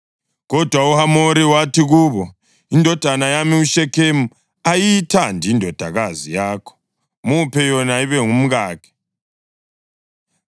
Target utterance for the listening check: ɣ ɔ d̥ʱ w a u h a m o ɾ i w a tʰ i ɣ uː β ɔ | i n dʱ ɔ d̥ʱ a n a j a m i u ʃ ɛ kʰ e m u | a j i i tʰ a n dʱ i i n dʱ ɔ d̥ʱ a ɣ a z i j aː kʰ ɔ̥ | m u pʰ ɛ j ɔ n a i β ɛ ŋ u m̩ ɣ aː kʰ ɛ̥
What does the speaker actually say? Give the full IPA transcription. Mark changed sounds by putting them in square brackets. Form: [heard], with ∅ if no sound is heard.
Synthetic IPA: ɣ ɔ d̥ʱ w a u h a m o ɾ i w a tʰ i ɣ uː β ɔ | i n dʱ ɔ d̥ʱ a n a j a m i u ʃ ɛ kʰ e m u | a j i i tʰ a n dʱ i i n dʱ ɔ d̥ʱ a ɣ a z i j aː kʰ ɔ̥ | m u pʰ ɛ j ɔ n a i β ɛ ŋ u m̩ ɣ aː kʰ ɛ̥